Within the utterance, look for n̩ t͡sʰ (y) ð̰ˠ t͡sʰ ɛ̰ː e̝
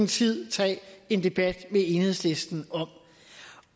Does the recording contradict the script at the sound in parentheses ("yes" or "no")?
yes